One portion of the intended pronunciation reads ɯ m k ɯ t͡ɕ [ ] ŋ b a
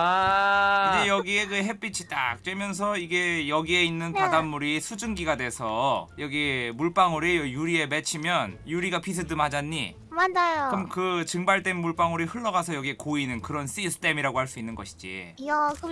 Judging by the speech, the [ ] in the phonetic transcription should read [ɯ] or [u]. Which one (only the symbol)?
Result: ɯ